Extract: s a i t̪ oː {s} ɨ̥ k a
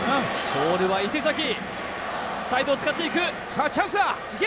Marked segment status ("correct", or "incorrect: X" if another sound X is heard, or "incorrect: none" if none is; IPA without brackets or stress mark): incorrect: t͡s